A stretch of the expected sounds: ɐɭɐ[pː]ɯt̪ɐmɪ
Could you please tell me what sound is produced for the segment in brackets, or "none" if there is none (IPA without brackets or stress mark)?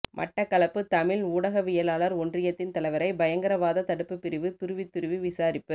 pː